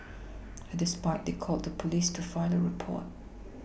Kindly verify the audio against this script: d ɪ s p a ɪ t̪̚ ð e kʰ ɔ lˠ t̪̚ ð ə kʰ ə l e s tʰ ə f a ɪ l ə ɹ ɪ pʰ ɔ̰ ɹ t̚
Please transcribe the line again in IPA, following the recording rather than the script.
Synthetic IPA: d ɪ s p a ɪ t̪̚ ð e kʰ ɔ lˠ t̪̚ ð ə pʰ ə l i s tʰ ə f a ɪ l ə ɹ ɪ pʰ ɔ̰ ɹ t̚